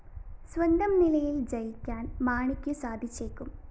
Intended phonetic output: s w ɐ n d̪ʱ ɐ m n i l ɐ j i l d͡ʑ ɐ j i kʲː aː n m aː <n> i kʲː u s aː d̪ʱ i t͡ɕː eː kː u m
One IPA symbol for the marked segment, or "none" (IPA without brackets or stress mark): ɳ